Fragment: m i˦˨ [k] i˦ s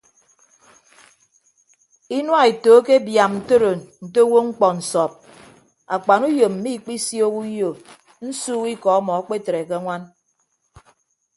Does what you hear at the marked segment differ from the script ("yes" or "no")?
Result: yes